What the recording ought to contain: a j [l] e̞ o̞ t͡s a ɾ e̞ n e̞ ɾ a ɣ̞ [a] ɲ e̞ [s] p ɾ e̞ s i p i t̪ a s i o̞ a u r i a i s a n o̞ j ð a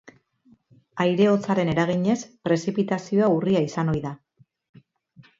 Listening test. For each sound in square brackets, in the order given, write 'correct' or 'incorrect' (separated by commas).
incorrect, incorrect, correct